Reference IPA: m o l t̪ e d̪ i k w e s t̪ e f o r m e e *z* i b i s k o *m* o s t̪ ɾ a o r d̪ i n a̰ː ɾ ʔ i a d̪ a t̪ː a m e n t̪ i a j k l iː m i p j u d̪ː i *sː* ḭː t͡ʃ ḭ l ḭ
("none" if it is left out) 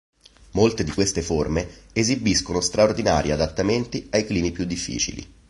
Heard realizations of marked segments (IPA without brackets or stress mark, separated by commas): z, n, fː